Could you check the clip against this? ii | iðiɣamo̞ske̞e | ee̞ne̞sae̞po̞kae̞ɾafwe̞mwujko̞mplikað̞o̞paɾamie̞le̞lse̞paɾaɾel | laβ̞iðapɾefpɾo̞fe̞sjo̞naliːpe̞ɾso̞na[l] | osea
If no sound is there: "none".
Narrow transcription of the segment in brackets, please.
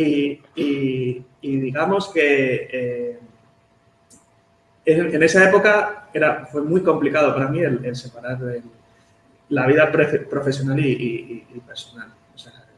l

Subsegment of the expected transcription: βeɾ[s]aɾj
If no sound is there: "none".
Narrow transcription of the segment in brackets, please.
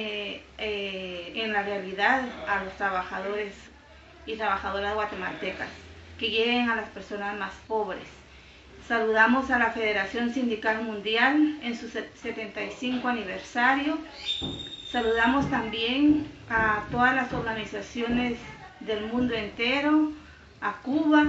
s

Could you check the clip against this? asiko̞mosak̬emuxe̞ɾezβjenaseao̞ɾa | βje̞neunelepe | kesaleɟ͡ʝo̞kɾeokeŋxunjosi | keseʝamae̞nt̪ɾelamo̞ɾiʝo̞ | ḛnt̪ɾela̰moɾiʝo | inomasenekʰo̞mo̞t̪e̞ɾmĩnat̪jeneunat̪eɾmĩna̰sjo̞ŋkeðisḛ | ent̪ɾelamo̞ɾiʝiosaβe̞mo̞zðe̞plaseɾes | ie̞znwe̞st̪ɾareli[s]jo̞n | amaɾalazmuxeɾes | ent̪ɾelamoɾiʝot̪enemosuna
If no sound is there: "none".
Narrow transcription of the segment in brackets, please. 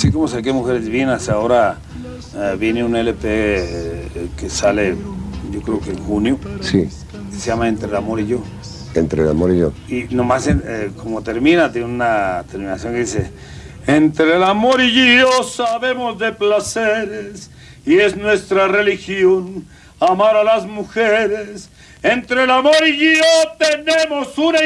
x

